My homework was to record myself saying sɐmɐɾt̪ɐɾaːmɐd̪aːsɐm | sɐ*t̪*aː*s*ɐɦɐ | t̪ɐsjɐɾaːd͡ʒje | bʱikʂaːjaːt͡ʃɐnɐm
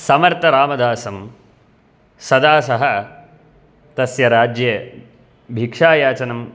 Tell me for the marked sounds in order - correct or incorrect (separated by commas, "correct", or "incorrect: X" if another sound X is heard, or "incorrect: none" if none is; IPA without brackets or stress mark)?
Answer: incorrect: d̪, correct